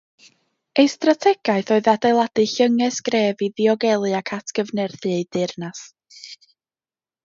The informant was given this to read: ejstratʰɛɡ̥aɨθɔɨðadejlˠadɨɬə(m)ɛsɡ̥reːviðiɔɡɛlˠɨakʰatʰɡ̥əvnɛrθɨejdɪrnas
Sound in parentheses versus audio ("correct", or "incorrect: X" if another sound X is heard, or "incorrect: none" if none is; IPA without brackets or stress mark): incorrect: ŋ